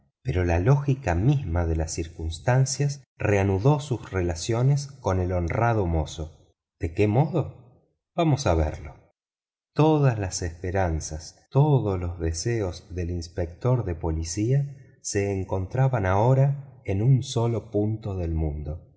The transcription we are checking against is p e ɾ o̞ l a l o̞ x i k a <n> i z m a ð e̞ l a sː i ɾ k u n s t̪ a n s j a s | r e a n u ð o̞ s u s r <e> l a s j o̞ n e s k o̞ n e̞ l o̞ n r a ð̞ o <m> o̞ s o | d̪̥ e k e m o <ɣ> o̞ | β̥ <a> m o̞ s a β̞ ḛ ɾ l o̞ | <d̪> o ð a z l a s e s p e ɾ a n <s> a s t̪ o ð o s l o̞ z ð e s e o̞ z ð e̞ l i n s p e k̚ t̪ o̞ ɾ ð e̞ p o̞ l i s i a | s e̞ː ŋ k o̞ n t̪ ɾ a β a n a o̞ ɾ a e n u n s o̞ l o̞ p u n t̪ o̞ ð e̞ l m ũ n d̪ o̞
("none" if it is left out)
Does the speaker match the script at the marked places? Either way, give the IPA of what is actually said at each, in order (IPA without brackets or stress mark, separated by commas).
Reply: m, e, m, ð, a, t̪, s